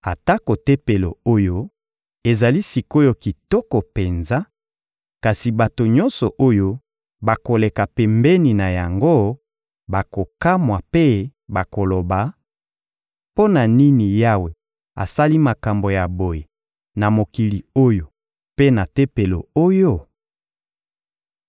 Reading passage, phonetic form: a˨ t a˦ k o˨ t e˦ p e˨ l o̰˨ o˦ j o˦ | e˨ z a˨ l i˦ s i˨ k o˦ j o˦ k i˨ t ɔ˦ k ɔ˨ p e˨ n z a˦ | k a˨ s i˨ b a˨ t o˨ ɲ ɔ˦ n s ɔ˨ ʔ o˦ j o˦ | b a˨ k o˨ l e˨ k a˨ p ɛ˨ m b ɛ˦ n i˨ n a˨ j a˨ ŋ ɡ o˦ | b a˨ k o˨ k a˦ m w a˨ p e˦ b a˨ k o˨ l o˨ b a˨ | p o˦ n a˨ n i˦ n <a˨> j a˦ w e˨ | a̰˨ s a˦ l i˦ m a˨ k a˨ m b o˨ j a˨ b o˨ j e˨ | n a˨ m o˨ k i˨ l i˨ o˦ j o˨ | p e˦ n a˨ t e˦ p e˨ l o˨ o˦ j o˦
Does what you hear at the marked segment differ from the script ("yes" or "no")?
yes